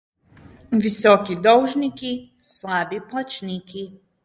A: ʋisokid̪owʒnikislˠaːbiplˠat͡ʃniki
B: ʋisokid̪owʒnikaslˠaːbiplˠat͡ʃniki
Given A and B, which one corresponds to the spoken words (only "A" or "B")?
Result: A